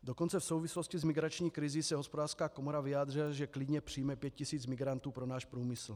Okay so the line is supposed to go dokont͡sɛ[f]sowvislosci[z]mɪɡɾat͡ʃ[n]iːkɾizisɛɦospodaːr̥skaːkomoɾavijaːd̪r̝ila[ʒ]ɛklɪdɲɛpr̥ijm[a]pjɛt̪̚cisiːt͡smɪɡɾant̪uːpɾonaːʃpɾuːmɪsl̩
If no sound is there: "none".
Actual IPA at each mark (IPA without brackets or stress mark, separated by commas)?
f, z, ɲ, ʒ, ɛ